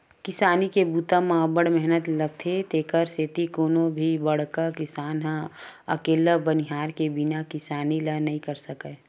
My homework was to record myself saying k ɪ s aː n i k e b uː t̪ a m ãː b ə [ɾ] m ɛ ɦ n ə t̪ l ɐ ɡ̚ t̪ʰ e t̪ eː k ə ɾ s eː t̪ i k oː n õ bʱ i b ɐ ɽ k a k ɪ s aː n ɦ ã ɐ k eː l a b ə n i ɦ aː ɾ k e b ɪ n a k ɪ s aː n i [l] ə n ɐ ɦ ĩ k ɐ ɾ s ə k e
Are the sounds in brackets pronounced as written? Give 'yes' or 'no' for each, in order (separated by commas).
no, yes